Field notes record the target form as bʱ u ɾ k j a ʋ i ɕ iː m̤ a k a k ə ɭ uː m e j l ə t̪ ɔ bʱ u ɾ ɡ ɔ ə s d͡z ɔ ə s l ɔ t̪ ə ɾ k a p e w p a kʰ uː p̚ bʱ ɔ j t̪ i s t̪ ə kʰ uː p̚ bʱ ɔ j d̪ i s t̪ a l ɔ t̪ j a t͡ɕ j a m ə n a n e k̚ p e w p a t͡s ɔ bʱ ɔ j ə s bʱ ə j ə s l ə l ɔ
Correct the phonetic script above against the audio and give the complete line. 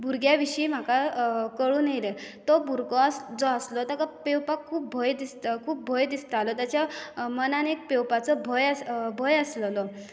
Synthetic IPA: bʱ u ɾ ɡ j a ʋ i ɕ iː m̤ a k a k ə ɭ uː n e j l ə t̪ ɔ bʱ u ɾ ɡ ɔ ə s d͡z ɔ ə s l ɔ t̪ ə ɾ k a p e w p a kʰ uː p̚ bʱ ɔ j d̪ i s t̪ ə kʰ uː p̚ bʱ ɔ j d̪ i s t̪ a l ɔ t̪ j a t͡ɕ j a m ə n a n e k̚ p e w p a t͡s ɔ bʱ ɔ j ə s bʱ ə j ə s l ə l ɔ

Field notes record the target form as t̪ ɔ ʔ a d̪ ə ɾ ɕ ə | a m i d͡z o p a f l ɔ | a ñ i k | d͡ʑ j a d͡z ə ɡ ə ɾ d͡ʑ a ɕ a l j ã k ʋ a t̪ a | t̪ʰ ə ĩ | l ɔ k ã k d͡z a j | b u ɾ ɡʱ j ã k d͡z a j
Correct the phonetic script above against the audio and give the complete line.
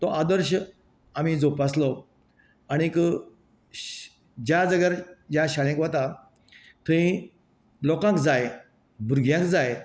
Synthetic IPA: t̪ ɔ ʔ a d̪ ə ɾ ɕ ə | a m i d͡z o p a s l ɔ | a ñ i k | d͡ʑ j a d͡z ə ɡ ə ɾ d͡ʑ a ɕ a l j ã k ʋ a t̪ a | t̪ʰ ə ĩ | l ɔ k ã k d͡z a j | b u ɾ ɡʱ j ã k d͡z a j

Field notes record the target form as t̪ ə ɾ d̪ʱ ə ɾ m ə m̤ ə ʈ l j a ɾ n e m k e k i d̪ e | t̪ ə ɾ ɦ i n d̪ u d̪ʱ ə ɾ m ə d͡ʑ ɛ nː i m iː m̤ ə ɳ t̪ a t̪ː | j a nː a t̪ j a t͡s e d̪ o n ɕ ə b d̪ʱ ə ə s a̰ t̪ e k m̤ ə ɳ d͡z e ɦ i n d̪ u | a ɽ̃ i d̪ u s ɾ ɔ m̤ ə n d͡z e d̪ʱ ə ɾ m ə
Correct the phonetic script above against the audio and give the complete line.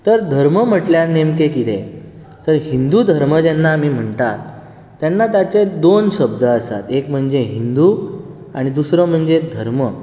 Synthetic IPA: t̪ ə ɾ d̪ʱ ə ɾ m ə m̤ ə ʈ l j a ɾ n e m k e k i t̪ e | t̪ ə ɾ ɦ i n d̪ u d̪ʱ ə ɾ m ə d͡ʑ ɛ nː a m iː m̤ ə ɳ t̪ a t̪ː | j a nː a t̪ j a t͡s e d̪ o n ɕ ə b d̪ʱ ə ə s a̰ t̪ e k m̤ ə ɳ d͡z e ɦ i n d̪ u | a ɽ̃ i d̪ u s ɾ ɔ m̤ ə ɳ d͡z e d̪ʱ ə ɾ m ə

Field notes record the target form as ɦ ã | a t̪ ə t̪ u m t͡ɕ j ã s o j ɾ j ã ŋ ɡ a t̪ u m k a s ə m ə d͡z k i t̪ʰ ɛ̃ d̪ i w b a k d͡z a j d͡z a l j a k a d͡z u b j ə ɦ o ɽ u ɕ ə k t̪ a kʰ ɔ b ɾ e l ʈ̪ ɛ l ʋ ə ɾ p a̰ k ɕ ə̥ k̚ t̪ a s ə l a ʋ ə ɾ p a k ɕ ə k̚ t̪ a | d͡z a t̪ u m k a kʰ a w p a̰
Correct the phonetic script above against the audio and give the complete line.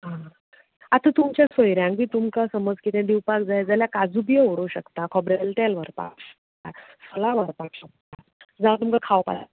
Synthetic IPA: ɦ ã | a t̪ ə t̪ u m t͡ɕ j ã s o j ɾ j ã ŋ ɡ i t̪ u m k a s ə m ə d͡z k i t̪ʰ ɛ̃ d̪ i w p a k d͡z a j d͡z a l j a k a d͡z u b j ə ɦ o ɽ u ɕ ə k t̪ a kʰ ɔ b ɾ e l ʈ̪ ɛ l ʋ ə ɾ p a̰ k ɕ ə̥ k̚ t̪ a s ə l a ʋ ə ɾ p a k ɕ ə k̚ t̪ a | d͡z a t̪ u m k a kʰ a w p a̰

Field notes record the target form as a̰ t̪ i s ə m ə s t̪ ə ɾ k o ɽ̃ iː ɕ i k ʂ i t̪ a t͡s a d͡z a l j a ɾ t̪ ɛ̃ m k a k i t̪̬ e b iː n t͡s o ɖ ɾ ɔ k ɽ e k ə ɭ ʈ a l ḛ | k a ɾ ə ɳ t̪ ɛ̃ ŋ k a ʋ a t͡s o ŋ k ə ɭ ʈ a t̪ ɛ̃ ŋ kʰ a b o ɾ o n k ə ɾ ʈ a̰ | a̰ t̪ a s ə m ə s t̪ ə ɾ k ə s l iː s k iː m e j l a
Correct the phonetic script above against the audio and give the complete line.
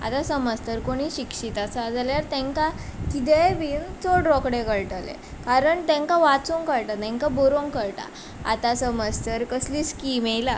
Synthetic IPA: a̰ t̪ a s ə m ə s t̪ ə ɾ k o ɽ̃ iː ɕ i k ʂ i t̪ a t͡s a d͡z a l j a ɾ t̪ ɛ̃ ŋ k a k i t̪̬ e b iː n t͡s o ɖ ɾ ɔ k ɽ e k ə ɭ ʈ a l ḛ | k a ɾ ə ɳ t̪ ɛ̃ ŋ k a ʋ a t͡s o ŋ k ə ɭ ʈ a t̪ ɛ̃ ŋ k a b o ɾ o ŋ k ə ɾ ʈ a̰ | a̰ t̪ a s ə m ə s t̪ ə ɾ k ə s l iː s k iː m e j l a

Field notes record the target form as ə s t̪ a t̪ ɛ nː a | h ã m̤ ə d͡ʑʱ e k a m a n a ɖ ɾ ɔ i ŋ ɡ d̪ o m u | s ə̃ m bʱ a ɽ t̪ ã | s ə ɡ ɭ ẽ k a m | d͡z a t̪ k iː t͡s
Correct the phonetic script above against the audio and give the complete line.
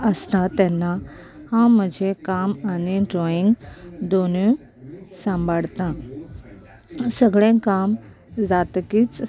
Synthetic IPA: ə s t̪ a t̪ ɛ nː a | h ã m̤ ə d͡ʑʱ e k a m a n i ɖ ɾ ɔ i ŋ ɡ d̪ o n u | s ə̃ m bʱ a ɽ t̪ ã | s ə ɡ ɭ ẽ k a m | d͡z a t̪ k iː t͡s

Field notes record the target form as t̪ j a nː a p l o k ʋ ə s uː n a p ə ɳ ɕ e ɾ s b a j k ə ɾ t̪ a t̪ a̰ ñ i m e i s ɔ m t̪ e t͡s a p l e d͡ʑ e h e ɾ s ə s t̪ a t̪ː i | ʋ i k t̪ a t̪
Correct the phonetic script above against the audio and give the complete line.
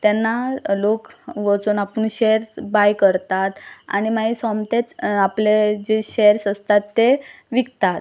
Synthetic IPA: t̪ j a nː a l o k ʋ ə t͡s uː n a p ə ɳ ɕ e ɾ s b a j k ə ɾ t̪ a t̪ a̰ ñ i m a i s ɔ m t̪ e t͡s a p l e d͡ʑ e ɕ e ɾ s ə s t̪ a t̪ː e | ʋ i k t̪ a t̪

